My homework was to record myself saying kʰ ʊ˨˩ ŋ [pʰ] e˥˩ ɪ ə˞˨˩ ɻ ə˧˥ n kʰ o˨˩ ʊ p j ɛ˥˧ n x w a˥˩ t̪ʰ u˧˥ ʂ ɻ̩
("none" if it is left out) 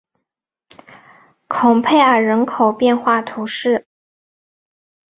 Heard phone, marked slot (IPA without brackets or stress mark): pʰ